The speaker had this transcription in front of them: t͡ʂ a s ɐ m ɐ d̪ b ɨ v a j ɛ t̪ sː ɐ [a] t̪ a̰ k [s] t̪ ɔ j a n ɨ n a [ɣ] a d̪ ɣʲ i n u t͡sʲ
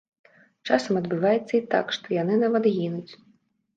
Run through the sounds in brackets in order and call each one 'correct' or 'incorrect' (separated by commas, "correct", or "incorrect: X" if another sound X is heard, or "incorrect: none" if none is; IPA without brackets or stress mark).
incorrect: i, incorrect: ʂ, incorrect: v